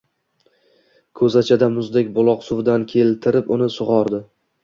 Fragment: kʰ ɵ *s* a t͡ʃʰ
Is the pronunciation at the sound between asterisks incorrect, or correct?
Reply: incorrect